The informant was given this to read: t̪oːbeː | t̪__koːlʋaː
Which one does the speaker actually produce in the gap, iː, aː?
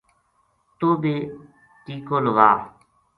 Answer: iː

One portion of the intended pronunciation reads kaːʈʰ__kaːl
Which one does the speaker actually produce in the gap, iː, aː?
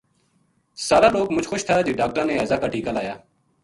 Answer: iː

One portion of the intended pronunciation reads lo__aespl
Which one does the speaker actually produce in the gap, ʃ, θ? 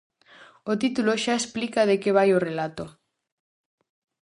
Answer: ʃ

